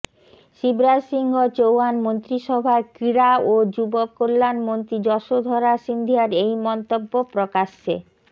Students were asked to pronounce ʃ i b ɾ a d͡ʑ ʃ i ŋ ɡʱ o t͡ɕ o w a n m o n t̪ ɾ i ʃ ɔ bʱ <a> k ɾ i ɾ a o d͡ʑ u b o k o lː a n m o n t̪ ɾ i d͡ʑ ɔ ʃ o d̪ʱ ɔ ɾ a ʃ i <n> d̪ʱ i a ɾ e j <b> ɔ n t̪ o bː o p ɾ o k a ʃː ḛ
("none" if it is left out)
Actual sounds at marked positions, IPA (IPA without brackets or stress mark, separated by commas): a, n, m